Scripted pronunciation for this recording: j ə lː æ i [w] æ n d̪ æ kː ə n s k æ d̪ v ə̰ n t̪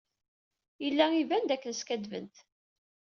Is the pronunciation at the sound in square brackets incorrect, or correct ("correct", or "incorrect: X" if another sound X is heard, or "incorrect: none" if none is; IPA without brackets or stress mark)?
incorrect: v